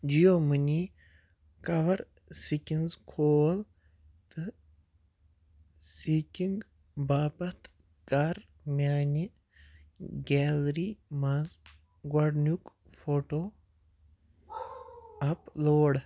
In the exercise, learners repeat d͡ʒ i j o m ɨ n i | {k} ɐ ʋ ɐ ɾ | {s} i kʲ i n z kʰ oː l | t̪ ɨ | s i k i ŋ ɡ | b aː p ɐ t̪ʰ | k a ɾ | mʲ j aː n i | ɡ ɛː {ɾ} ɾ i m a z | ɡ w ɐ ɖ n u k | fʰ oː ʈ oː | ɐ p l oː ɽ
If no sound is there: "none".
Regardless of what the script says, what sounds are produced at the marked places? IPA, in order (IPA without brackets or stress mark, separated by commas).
k, s, l